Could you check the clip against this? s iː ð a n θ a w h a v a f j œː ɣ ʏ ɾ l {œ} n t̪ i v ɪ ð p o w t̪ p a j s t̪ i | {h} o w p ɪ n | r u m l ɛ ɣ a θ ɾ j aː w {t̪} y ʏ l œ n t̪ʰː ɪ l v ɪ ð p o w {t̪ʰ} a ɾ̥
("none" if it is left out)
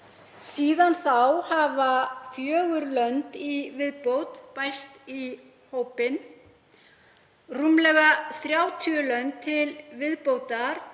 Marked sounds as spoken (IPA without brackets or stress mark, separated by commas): œ, h, t̪ʰ, t̪